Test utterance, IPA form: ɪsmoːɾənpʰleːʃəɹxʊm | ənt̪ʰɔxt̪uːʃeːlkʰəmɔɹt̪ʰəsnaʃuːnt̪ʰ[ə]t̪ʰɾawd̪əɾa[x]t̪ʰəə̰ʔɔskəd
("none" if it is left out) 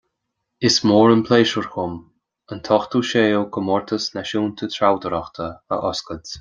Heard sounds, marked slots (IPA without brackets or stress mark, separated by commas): ə, x